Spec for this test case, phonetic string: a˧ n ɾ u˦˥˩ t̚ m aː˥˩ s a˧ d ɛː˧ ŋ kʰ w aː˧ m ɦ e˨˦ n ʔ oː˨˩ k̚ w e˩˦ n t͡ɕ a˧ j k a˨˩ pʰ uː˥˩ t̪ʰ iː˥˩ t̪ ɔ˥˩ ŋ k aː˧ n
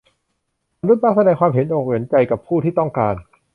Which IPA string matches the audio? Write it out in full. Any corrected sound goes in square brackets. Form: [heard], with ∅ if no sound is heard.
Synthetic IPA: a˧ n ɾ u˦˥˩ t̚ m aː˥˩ s a˧ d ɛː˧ ŋ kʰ w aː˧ m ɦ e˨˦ n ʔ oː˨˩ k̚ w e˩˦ n t͡ɕ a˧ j k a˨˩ pʰ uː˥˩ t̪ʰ iː˥˩ t̪ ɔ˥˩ ŋ k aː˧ n